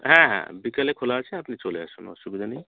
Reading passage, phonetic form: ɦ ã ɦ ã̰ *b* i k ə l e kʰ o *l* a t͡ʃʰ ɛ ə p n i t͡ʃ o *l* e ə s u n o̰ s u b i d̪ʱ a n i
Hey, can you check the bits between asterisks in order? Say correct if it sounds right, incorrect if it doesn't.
correct, correct, correct

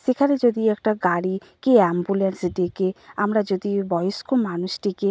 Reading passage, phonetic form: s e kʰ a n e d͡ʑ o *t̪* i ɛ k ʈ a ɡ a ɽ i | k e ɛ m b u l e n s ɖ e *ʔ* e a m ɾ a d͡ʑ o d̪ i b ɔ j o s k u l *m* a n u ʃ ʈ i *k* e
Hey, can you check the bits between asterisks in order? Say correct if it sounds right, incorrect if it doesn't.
incorrect: d̪, incorrect: k, correct, correct

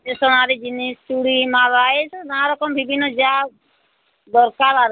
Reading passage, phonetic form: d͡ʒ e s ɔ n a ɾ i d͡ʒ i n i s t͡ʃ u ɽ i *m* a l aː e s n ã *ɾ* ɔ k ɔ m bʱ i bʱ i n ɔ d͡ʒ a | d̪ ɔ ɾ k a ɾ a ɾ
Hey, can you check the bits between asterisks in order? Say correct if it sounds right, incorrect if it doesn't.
correct, correct

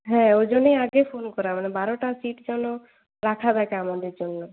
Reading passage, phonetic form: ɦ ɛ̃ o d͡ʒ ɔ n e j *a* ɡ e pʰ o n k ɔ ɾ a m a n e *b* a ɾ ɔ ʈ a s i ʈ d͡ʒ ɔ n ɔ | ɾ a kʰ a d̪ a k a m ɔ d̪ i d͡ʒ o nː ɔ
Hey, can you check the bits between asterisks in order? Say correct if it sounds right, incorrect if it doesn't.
correct, correct

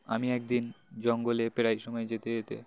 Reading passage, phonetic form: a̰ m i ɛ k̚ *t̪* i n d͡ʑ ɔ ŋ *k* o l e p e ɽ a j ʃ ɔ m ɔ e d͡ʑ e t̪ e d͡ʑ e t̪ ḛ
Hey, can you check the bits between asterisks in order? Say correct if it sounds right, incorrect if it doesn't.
incorrect: d̪, incorrect: ɡ

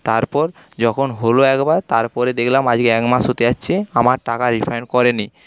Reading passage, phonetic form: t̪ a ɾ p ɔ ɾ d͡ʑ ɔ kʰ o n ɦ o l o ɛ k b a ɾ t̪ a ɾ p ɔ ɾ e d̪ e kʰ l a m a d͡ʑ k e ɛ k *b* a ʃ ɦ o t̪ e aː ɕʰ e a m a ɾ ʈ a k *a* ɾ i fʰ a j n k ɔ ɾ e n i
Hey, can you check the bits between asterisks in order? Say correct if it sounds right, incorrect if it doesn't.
incorrect: m, correct

